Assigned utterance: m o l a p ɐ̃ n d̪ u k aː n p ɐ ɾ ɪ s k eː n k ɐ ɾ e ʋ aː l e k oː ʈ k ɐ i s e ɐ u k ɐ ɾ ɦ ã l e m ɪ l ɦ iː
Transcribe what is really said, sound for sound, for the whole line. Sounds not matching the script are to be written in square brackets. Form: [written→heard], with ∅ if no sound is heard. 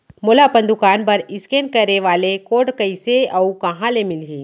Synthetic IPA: m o l a p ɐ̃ n d̪ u k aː n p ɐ ɾ ɪ s k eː n k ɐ ɾ e ʋ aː l e k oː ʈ k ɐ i s e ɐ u k ɐ [ɾ→∅] ɦ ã l e m ɪ l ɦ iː